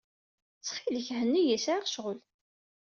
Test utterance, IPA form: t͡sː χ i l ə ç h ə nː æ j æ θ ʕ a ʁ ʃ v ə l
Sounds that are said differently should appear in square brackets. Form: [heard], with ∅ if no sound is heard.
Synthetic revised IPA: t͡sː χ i l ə ç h ə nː [i] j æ [s] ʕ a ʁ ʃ [ʁ] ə l